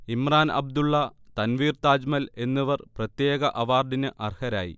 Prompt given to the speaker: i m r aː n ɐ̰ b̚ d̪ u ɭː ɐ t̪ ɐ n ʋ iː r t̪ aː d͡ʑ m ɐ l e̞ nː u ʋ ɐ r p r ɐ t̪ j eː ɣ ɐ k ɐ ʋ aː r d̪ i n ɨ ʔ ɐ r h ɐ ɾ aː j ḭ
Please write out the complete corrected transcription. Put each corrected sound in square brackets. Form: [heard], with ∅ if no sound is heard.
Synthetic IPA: i m r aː n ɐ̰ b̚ d̪ u ɭː ɐ t̪ ɐ n ʋ iː r t̪ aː d͡ʑ m ɐ l e̞ nː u ʋ ɐ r p r ɐ t̪ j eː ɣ ɐ [ʔ] ɐ ʋ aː r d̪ i n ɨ ʔ ɐ r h ɐ ɾ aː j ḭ